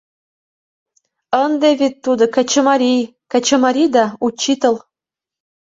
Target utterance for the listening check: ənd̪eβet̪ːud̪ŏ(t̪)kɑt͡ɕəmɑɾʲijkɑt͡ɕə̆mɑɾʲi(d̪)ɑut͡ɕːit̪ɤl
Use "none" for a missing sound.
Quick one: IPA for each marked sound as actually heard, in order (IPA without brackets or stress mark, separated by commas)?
none, d̪